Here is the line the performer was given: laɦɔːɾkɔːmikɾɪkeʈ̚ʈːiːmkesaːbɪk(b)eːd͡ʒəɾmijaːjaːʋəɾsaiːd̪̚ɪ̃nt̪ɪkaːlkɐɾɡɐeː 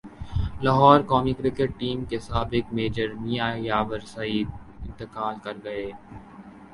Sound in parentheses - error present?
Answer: yes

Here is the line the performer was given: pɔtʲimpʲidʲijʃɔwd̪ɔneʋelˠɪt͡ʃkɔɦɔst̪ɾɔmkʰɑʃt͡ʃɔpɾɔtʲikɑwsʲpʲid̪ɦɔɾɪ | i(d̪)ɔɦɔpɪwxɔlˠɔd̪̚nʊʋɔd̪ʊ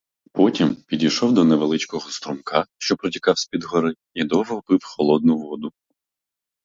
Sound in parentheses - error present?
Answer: no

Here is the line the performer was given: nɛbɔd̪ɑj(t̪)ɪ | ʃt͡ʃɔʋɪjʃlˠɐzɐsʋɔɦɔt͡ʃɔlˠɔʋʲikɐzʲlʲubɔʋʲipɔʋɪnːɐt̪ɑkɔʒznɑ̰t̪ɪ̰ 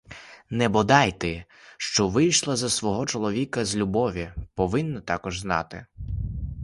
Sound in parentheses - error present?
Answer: no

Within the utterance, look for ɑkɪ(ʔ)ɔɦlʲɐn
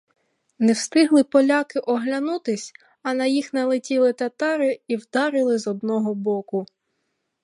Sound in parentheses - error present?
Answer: no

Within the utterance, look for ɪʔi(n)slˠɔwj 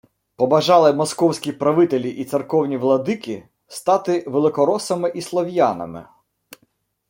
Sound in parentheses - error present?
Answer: yes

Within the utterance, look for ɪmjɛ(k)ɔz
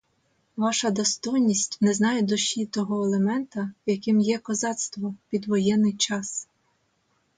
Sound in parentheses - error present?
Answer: no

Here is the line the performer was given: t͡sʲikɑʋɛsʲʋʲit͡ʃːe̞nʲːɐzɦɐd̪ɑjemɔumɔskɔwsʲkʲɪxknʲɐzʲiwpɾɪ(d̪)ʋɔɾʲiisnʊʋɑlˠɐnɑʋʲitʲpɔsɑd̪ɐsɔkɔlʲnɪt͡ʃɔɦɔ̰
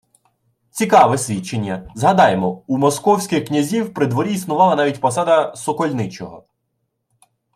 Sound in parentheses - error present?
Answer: no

